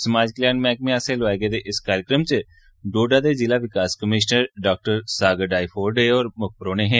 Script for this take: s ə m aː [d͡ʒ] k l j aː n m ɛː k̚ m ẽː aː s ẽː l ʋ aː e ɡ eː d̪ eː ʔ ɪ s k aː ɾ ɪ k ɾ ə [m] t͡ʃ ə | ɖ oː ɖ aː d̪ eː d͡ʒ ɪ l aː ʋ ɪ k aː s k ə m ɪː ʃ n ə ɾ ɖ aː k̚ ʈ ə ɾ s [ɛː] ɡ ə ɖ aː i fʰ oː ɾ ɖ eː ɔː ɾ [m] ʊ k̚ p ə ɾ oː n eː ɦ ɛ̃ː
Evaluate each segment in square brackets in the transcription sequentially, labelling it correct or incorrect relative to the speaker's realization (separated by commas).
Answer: correct, correct, incorrect, correct